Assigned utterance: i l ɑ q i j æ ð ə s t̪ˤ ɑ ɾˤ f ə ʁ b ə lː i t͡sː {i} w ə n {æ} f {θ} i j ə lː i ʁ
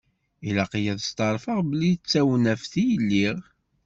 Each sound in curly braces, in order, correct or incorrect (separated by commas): incorrect, correct, correct